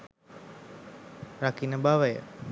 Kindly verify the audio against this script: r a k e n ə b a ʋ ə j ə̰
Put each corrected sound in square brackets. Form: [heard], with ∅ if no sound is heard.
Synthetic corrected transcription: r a k [i] n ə b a ʋ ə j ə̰